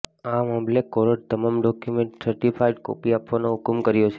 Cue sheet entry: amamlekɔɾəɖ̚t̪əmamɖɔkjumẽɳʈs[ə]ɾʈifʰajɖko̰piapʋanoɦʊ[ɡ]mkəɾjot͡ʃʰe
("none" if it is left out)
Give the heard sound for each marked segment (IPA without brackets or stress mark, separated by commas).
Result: ə, k